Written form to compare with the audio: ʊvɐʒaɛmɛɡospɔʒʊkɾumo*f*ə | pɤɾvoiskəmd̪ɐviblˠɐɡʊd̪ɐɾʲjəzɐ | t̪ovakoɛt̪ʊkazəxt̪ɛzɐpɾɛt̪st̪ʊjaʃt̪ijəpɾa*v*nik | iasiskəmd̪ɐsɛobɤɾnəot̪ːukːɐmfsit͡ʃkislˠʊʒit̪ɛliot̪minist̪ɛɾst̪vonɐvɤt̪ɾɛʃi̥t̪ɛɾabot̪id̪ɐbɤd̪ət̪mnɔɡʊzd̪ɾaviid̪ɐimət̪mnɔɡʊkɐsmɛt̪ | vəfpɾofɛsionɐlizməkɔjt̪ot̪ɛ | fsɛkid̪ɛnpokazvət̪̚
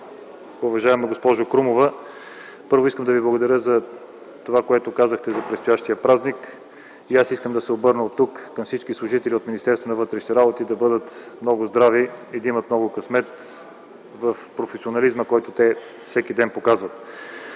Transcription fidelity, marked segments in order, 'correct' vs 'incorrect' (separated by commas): incorrect, incorrect